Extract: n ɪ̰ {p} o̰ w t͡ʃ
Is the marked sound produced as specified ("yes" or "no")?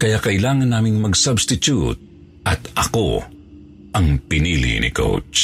no